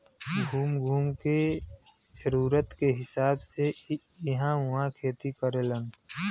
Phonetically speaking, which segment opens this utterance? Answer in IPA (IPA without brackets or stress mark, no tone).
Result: ɡʱ